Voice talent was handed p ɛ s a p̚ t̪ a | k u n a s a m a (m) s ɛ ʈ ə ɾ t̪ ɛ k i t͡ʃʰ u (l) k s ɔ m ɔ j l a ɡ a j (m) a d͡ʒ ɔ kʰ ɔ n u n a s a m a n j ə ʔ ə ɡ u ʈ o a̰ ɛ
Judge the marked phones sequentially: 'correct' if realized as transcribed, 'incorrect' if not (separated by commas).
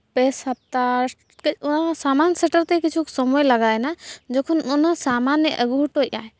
incorrect, incorrect, incorrect